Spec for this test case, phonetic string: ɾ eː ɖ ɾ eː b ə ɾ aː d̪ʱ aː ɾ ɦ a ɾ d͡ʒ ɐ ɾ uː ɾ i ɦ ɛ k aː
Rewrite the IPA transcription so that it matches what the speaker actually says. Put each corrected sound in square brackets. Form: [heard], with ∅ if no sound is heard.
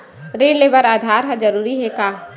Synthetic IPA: ɾ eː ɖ [l] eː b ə ɾ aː d̪ʱ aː ɾ ɦ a [∅] d͡ʒ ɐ ɾ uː ɾ i ɦ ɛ k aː